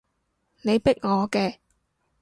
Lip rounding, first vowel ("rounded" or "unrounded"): unrounded